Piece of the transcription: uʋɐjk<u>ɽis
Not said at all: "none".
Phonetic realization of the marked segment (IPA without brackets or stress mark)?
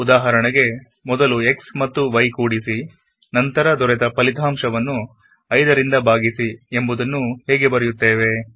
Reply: uː